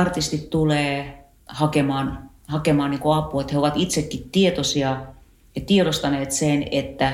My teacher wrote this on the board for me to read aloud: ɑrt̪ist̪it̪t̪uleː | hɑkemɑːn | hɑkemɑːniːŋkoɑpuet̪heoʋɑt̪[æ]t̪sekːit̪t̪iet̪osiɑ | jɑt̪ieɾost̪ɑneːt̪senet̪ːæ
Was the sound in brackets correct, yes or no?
no